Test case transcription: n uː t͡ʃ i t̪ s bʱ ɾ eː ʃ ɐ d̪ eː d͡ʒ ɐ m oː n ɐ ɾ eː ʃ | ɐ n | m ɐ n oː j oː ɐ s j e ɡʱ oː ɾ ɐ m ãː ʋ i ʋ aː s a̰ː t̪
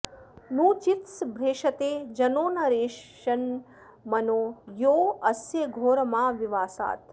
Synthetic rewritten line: n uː t͡ʃ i t̪ s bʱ ɾ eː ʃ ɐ t̪ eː d͡ʒ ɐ n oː n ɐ ɾ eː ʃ | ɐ n | m ɐ n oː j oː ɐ s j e ɡʱ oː ɾ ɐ m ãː ʋ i ʋ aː s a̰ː t̪